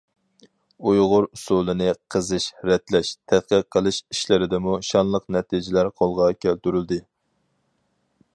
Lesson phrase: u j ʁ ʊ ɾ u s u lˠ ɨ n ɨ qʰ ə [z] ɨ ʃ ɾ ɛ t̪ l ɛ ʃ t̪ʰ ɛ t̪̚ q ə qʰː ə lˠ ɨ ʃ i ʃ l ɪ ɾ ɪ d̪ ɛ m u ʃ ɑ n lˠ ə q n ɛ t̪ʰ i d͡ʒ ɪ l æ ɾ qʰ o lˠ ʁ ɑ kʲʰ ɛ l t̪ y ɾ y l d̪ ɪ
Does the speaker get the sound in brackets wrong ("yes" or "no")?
no